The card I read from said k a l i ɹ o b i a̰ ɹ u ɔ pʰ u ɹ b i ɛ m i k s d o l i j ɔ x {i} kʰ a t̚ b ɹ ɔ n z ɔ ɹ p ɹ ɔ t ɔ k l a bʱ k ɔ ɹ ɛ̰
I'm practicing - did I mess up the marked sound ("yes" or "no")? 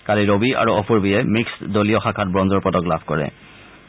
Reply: yes